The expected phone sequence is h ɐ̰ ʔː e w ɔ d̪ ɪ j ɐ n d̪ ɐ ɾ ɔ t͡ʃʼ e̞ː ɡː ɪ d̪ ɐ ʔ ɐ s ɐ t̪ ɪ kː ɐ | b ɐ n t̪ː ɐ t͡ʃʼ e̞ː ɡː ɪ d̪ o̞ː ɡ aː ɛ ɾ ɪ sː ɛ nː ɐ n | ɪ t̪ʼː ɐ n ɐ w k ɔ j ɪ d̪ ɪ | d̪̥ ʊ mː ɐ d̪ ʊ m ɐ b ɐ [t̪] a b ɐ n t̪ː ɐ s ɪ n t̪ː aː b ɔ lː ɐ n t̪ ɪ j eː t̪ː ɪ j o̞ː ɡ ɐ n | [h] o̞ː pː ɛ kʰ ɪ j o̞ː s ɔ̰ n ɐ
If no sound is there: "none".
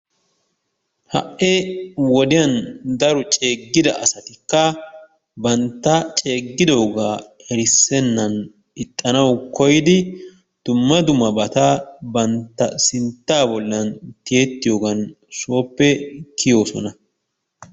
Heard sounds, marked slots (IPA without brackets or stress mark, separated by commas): t̪, s